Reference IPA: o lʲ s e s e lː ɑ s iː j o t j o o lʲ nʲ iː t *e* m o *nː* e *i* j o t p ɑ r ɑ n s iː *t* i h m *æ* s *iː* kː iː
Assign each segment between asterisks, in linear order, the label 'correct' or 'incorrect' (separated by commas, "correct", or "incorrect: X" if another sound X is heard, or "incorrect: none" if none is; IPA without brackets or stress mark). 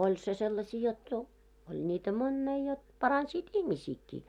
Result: incorrect: æ, correct, correct, correct, incorrect: i, correct